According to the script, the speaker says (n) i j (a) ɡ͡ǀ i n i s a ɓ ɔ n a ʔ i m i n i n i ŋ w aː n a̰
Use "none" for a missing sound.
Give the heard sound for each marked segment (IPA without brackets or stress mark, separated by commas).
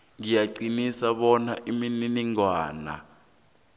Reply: ŋ, a